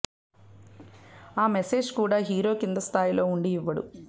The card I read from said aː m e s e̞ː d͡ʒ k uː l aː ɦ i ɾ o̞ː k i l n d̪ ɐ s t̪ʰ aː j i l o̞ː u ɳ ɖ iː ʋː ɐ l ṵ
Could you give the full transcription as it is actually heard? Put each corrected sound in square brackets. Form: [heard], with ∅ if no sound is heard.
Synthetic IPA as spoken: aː m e s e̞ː d͡ʒ k uː [ɽ] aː ɦ [iː] ɾ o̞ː k i [∅] n d̪ ɐ s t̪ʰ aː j i l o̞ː u ɳ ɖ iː ʋː ɐ [ɽ] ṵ